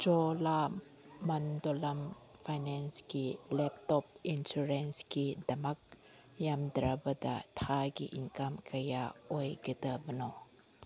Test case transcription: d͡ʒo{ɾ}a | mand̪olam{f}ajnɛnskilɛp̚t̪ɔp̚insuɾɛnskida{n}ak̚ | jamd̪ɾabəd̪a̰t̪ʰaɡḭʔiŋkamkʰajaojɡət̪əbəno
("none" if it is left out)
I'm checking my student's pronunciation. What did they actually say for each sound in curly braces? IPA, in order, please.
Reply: l, f, m

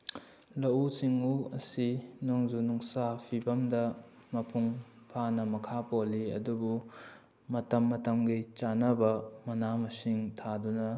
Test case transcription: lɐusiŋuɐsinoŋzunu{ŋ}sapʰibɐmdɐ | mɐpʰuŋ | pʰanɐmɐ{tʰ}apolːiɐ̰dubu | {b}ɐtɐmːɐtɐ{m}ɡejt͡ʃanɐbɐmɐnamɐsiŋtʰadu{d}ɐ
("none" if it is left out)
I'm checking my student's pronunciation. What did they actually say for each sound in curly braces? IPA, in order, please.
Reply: ŋ, kʰ, m, m, n

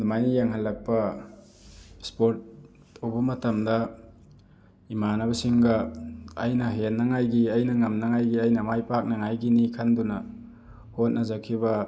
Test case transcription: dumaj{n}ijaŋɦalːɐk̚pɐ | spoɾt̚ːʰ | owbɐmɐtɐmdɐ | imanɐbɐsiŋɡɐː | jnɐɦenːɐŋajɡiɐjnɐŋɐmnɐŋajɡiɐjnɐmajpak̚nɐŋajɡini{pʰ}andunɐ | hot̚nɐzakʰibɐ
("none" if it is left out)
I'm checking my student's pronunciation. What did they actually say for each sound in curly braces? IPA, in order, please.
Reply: n, kʰ

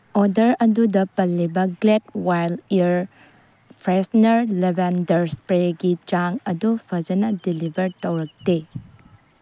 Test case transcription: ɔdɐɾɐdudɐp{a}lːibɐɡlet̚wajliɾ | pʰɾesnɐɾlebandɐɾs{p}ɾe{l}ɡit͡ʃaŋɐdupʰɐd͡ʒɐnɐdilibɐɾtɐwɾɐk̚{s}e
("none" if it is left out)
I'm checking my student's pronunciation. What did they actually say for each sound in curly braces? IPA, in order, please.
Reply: ɐ, p, none, t

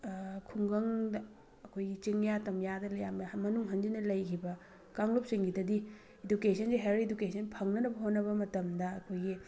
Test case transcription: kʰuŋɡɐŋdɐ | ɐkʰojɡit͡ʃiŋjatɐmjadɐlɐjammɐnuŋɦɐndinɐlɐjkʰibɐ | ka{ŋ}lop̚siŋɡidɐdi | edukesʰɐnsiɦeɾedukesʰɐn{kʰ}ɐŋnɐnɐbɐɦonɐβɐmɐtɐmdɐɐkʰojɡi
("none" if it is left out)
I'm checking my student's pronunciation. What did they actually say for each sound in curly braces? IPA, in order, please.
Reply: ŋ, pʰ

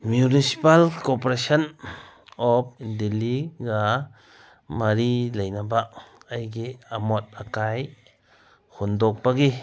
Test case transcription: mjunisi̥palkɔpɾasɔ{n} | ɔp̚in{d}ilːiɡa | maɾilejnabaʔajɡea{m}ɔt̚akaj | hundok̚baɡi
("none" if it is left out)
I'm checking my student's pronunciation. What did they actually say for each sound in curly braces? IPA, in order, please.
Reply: n, d, m

